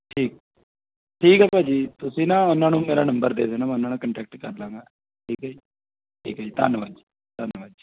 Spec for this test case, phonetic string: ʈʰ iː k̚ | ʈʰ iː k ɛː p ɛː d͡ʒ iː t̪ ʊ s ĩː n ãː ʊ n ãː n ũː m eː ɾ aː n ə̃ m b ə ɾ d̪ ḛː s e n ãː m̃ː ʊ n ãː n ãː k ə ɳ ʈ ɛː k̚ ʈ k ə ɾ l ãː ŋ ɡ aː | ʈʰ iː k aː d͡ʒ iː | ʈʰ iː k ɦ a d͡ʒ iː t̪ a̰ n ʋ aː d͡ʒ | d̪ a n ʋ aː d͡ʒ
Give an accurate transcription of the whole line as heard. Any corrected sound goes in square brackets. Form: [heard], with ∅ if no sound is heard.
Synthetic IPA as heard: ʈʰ iː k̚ | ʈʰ iː k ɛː p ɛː d͡ʒ iː t̪ ʊ s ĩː n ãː ʊ n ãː n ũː m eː ɾ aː n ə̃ m b ə ɾ d̪ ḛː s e n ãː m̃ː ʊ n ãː n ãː k ə ɳ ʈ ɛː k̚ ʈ k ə ɾ l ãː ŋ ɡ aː | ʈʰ iː k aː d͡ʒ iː | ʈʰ iː k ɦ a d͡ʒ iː t̪ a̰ n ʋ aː d͡ʒ | [t̪] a n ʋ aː d͡ʒ

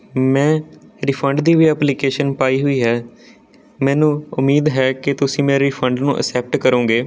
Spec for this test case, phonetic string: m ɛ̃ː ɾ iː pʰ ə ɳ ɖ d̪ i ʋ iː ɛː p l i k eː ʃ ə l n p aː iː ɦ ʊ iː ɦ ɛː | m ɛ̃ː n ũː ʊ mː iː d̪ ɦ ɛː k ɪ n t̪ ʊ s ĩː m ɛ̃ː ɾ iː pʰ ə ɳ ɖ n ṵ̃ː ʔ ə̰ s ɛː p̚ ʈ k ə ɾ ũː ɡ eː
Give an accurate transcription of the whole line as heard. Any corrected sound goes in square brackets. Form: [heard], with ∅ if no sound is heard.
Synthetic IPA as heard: m ɛ̃ː ɾ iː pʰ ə ɳ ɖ d̪ [iː] ʋ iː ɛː p l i k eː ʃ ə [∅] n p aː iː ɦ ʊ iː ɦ ɛː | m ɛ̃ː n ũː ʊ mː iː d̪ ɦ ɛː k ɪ [∅] t̪ ʊ s ĩː m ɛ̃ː ɾ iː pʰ ə ɳ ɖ n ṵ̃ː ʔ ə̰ s ɛː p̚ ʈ k ə ɾ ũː ɡ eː

